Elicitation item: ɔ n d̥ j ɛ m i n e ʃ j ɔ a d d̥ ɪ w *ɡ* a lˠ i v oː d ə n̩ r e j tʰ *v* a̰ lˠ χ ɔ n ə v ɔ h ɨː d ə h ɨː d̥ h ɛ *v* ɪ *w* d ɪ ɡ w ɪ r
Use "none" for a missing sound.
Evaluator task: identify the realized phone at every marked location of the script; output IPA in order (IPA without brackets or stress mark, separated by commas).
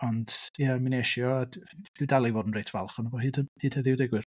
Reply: d, v, ð, w